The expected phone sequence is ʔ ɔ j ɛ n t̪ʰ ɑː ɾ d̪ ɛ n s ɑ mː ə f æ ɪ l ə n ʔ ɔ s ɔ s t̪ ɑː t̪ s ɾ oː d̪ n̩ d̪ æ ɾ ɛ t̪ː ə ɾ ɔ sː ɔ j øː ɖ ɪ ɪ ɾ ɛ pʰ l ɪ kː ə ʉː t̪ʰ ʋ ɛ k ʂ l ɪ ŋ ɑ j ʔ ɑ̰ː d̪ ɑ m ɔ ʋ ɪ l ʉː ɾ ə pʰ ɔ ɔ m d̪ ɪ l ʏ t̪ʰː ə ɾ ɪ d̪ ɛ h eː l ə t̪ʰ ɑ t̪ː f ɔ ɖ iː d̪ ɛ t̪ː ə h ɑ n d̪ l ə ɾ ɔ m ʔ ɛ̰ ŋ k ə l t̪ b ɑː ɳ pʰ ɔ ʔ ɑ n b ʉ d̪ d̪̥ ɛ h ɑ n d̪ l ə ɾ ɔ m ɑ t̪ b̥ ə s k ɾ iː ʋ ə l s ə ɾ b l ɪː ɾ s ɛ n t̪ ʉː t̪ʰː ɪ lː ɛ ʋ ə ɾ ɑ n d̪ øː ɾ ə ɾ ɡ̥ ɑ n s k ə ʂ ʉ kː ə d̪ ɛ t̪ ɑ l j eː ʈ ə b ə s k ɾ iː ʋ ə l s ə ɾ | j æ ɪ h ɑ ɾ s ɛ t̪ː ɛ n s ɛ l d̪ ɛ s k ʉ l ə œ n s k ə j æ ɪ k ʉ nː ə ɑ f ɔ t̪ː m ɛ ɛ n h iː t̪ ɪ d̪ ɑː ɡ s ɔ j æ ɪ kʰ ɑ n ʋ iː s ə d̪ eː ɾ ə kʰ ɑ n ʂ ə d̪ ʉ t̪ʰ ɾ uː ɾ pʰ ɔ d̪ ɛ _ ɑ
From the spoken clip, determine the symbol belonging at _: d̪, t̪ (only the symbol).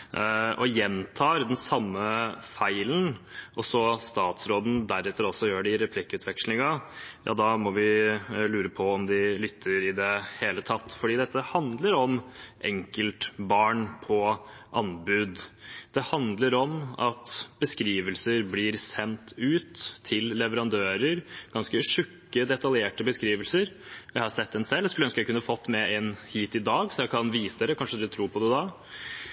d̪